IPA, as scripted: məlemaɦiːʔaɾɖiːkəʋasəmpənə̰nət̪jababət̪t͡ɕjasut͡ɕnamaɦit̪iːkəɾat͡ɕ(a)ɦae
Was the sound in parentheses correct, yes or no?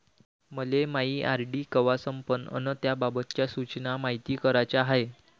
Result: yes